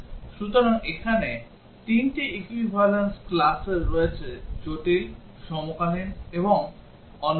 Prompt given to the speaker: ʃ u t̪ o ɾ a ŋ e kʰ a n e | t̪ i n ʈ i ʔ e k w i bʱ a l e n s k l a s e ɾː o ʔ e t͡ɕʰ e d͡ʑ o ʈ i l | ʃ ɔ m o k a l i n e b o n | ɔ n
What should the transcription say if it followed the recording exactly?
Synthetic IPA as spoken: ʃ u t̪ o ɾ a ŋ e kʰ a n e | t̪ i n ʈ i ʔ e k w i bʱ a l e n s k l a s e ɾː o e t͡ɕʰ e d͡ʑ o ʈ i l | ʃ ɔ m o k a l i n e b o ŋ | ɔ n